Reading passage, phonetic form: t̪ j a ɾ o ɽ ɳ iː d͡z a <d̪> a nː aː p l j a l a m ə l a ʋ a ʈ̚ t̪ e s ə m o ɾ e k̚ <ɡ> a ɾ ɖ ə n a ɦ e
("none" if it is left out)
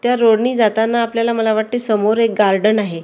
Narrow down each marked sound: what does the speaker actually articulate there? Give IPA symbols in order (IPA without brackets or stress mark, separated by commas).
t̪, ɡ